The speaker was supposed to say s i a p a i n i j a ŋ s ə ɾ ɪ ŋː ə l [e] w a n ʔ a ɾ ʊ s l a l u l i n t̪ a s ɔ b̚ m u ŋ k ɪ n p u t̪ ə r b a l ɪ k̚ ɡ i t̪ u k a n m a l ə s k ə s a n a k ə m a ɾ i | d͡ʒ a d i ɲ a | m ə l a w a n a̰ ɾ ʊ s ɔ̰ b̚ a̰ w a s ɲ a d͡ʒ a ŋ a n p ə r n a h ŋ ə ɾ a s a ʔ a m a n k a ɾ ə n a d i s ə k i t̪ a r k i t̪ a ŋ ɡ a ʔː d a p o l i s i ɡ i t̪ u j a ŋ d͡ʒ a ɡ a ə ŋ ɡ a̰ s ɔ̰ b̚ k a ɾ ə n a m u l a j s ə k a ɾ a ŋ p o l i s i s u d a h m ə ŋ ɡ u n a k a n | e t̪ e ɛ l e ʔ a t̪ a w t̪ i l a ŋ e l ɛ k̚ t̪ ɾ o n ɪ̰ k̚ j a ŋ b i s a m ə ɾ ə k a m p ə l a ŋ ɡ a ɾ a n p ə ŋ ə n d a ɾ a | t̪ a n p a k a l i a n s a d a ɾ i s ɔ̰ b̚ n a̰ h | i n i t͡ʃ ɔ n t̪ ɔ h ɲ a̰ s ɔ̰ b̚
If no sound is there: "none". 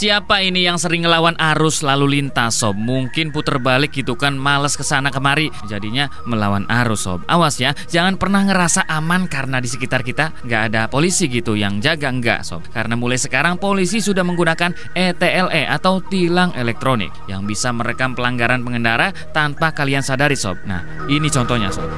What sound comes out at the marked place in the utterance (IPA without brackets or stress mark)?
a